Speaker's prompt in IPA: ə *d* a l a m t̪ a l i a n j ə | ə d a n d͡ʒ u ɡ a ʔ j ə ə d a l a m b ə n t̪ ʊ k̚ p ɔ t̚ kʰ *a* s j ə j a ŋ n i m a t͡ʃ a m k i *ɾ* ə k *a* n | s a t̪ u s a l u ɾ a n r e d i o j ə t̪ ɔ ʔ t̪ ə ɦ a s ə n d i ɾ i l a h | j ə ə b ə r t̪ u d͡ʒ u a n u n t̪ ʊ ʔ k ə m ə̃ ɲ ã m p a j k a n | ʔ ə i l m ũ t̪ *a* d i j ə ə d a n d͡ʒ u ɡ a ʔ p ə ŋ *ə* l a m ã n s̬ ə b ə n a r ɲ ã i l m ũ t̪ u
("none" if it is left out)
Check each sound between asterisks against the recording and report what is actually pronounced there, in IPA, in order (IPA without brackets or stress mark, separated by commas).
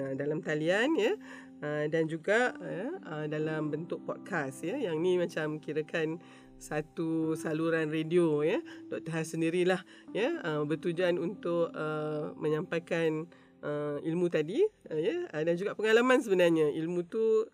d, a, ɾ, a, a, a